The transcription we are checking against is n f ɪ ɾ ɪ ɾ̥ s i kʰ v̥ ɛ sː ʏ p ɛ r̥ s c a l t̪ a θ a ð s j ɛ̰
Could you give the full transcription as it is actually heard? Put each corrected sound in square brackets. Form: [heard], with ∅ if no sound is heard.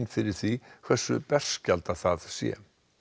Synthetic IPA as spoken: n f ɪ ɾ ɪ ɾ̥ [θ] i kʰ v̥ ɛ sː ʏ p ɛ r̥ s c a l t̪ a θ a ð s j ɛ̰

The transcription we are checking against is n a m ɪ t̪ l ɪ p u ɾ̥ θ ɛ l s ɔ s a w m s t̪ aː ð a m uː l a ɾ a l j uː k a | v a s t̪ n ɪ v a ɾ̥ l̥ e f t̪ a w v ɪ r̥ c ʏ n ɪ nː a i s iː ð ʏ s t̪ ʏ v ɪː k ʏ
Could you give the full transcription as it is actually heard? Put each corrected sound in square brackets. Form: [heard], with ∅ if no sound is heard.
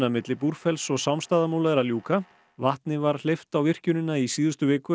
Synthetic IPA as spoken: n a m ɪ t̪ l ɪ p u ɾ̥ [f] ɛ l s ɔ s a w m s t̪ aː ð a m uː l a ɾ a l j uː k a | v a [h] t̪ n ɪ v a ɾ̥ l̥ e f t̪ a w v ɪ r̥ c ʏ n ɪ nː a i s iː ð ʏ s t̪ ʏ v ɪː k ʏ

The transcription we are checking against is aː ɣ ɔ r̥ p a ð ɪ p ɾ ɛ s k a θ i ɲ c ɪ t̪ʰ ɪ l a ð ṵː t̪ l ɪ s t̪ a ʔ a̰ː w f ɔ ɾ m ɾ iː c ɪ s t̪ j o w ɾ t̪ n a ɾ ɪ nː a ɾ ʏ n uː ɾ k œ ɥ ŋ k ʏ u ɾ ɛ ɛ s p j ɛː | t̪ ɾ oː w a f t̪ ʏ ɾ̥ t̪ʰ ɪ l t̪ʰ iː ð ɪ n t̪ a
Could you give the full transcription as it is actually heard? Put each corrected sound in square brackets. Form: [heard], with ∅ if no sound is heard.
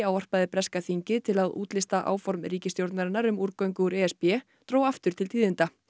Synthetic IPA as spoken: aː [w] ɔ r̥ p a ð ɪ p ɾ ɛ s k a θ i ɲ c ɪ t̪ʰ ɪ l a ð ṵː t̪ l ɪ s t̪ a ʔ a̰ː w f ɔ ɾ m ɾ iː c ɪ s t̪ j o w ɾ t̪ n a ɾ ɪ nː a ɾ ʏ [m] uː ɾ k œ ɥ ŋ k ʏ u ɾ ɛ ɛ s p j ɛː | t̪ ɾ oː w a f t̪ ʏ ɾ̥ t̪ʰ ɪ l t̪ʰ iː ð ɪ n t̪ a

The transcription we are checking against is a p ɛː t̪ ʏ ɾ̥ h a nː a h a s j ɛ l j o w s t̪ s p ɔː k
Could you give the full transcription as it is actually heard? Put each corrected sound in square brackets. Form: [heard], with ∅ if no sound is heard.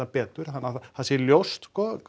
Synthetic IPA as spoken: a p ɛː t̪ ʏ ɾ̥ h a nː a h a s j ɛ l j o w s t̪ s [k] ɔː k

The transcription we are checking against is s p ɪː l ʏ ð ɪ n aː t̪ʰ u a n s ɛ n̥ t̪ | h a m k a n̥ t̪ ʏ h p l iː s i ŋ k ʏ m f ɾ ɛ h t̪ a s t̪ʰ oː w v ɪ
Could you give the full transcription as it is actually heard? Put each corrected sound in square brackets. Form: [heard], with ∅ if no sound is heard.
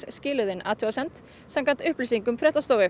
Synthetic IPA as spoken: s [c] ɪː l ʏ ð ɪ n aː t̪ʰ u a [∅] s ɛ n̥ t̪ | [s] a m k a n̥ t̪ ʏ h p l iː s i ŋ k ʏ m f ɾ ɛ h t̪ a s [t̪] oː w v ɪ

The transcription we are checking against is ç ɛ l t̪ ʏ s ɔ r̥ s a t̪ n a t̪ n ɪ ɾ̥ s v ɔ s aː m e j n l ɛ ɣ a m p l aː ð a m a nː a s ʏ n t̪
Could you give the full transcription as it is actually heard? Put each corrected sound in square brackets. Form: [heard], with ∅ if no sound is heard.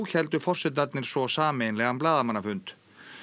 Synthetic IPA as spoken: ç ɛ l t̪ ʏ [f] ɔ r̥ s [ɛ] t̪ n a t̪ n ɪ ɾ̥ s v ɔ s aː m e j n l ɛ ɣ a m p l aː ð a m a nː a [f] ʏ n t̪

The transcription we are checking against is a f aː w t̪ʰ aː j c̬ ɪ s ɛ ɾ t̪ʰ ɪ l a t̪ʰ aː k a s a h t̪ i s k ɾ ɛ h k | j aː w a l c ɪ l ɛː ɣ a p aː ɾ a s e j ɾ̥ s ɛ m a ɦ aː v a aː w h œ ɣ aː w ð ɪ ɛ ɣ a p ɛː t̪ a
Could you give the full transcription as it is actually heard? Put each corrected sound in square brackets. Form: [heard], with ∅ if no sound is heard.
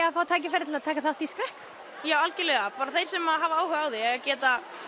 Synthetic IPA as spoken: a f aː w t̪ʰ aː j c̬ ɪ [f] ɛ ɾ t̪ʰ ɪ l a t̪ʰ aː k a [θ] a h t̪ i s k ɾ ɛ h k | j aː w a l c ɪ l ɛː ɣ a p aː ɾ a [θ] e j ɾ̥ s ɛ m a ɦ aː v a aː w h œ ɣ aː w ð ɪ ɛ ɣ a [c] ɛː t̪ a

